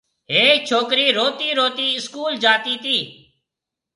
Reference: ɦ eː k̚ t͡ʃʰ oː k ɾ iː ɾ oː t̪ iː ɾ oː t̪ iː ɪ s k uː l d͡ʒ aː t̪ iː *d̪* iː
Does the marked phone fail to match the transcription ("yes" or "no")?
yes